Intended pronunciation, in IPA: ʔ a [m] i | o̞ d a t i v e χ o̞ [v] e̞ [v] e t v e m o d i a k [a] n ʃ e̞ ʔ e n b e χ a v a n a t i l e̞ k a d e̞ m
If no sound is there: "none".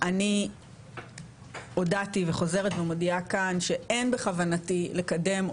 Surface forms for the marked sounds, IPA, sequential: n, z, ʁ, a

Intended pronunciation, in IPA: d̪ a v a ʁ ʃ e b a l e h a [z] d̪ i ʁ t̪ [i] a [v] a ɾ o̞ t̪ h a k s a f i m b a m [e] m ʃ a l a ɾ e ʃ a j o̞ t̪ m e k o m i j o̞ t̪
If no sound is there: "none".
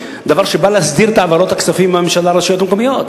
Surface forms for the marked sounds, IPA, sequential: s, a, v, e

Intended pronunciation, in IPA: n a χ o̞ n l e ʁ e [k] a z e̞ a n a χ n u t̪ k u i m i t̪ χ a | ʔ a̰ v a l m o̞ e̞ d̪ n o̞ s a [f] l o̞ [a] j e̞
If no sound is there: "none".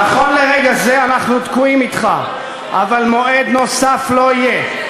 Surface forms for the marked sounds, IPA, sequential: ɡ, f, i

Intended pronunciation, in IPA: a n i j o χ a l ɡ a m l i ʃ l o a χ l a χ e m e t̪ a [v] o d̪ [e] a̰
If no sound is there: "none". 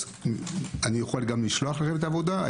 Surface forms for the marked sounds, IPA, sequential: v, a

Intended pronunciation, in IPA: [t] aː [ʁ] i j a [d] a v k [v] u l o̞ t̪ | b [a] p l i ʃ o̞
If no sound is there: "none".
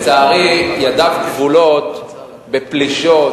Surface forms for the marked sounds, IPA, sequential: t͡s, ʁ, d, v, e

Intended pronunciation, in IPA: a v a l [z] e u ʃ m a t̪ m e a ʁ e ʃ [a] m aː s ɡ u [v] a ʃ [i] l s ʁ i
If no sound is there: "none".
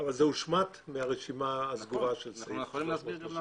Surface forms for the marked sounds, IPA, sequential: z, i, ʁ, e

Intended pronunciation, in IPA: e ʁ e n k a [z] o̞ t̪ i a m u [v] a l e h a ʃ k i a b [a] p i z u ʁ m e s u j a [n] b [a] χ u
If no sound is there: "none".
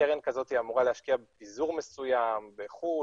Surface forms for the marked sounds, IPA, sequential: z, ʁ, e, m, e

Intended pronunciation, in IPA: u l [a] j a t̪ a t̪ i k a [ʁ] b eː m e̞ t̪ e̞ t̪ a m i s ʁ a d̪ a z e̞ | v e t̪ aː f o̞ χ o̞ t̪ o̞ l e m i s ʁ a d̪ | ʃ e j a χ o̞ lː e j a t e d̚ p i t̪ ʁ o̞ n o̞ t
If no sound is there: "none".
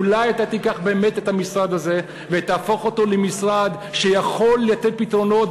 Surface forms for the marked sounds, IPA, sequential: a, χ

